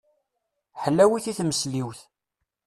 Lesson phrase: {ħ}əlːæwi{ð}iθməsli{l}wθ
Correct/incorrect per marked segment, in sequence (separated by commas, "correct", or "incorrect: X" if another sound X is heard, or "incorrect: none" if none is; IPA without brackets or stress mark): correct, incorrect: θ, incorrect: none